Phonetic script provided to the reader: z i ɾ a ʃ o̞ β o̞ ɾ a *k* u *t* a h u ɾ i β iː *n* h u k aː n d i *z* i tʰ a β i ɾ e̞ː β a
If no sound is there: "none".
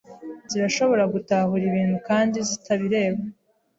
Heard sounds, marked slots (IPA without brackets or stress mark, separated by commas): ɡ, t, n, z